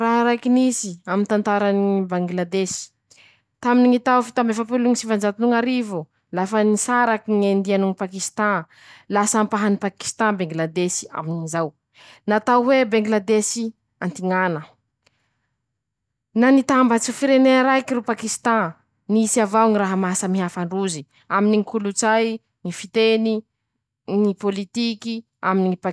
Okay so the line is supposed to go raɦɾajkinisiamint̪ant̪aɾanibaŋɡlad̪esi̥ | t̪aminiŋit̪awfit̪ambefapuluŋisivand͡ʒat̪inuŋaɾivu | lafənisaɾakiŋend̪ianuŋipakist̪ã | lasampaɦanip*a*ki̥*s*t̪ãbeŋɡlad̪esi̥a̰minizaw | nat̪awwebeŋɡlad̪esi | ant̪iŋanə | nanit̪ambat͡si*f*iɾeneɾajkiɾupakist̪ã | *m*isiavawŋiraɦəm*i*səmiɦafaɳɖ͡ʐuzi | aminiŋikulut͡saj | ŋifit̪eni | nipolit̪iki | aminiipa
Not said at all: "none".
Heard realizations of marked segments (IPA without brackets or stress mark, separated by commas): a, s, f, n, a